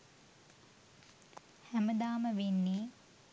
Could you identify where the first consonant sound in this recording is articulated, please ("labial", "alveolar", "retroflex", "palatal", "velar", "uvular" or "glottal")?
glottal